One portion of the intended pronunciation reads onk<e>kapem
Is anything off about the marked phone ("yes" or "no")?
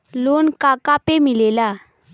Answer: yes